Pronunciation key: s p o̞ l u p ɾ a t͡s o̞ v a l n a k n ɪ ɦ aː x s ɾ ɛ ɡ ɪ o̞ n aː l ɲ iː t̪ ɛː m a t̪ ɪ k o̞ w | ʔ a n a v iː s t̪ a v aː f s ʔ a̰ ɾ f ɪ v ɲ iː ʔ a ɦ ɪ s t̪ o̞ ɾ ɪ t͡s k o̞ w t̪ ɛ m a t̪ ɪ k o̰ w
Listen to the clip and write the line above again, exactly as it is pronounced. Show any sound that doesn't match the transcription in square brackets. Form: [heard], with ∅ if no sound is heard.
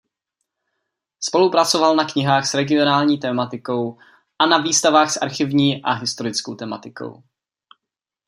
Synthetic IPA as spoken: s p o̞ l u p ɾ a t͡s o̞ v a l n a k [ɲ] ɪ ɦ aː x s ɾ ɛ ɡ ɪ o̞ n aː l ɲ iː t̪ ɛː m a t̪ ɪ k o̞ w | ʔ a n a v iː s t̪ a v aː [x] s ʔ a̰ ɾ [x] ɪ v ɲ iː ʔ a ɦ ɪ s t̪ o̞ ɾ ɪ t͡s k o̞ w t̪ ɛ m a t̪ ɪ k o̰ w